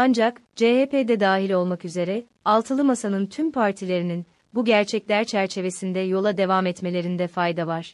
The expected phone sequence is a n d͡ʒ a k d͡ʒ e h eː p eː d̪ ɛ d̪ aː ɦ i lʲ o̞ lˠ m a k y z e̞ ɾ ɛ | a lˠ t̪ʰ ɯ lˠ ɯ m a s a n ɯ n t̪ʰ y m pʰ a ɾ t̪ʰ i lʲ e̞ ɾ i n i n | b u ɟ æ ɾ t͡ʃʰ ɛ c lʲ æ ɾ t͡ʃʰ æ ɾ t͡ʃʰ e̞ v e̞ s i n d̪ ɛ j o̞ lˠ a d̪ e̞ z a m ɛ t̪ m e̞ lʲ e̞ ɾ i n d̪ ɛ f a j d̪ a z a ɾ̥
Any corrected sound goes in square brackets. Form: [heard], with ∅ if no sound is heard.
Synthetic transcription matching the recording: a n d͡ʒ a k d͡ʒ e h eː p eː d̪ ɛ d̪ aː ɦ i lʲ o̞ lˠ m a k y z e̞ ɾ ɛ | a lˠ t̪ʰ ɯ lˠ ɯ m a s a n ɯ n t̪ʰ y m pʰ a ɾ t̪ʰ i lʲ e̞ ɾ i n i n | b u ɟ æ ɾ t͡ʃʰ ɛ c lʲ æ ɾ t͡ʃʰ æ ɾ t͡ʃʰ e̞ v e̞ s i n d̪ ɛ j o̞ lˠ a d̪ e̞ [v] a m ɛ t̪ m e̞ lʲ e̞ ɾ i n d̪ ɛ f a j d̪ a [v] a ɾ̥